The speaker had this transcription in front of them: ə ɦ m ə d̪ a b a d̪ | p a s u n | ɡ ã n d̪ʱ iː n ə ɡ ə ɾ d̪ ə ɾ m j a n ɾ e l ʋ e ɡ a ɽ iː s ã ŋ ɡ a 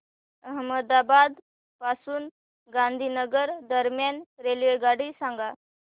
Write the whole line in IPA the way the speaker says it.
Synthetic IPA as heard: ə ɦ m ə d̪ a b a d̪ | p a s uː n | ɡ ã n d̪ʱ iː n ə ɡ ə ɾ d̪ ə ɾ m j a n ɾ e l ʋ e ɡ a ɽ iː s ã ŋ ɡ a